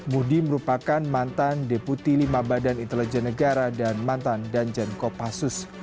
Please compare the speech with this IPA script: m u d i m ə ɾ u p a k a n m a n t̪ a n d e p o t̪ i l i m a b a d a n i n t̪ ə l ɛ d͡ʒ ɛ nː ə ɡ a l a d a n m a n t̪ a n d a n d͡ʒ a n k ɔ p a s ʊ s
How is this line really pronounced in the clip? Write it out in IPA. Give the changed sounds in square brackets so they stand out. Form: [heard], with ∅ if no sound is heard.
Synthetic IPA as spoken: m u d i m ə ɾ u p a k a n m a n t̪ a n d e p [u] t̪ i l i m a b a d a n i n t̪ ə l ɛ d͡ʒ ɛ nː ə ɡ a [ɾ] a d a n m a n t̪ a n d a n d͡ʒ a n k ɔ p a s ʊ s